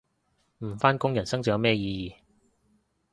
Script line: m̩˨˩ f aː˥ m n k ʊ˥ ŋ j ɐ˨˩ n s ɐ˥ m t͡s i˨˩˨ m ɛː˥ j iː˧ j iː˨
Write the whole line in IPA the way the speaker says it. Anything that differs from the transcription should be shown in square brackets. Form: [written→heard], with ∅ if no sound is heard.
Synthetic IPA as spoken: m̩˨˩ f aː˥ [m→∅] n k ʊ˥ ŋ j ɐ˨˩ n s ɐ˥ [m→ŋ] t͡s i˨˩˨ m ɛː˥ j iː˧ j iː˨